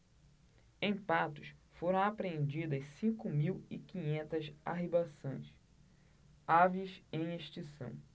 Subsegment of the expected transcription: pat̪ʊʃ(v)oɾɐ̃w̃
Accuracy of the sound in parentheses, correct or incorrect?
incorrect